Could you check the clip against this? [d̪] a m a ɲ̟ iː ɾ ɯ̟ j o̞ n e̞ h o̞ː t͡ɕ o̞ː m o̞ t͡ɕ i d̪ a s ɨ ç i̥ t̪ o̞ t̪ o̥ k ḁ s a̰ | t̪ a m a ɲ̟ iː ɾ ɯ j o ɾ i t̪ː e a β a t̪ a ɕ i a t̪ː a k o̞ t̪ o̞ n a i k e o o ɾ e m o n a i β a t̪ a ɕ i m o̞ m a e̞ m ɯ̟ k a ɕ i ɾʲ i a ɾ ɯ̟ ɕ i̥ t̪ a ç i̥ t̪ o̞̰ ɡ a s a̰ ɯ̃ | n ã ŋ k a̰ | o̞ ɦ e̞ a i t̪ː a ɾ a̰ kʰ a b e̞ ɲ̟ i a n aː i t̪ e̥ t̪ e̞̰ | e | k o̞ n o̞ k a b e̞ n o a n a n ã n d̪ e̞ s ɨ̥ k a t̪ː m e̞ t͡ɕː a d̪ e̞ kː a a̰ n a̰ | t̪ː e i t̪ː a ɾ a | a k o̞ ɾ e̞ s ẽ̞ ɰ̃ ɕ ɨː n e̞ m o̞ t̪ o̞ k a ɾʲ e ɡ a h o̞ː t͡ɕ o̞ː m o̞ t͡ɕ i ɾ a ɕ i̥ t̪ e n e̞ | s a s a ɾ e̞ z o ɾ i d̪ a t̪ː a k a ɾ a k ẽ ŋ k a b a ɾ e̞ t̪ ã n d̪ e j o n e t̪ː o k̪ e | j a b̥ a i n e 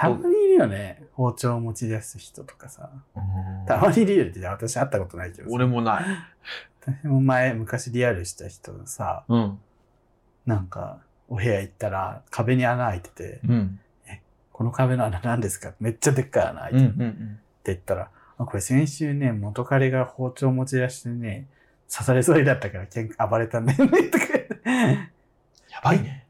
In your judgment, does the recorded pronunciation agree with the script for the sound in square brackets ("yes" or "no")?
no